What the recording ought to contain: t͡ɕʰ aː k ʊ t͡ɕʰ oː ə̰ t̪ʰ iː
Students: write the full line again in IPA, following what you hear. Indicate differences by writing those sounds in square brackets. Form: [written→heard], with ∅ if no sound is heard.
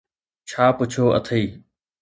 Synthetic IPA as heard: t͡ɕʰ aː [k→p] ʊ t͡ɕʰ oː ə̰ t̪ʰ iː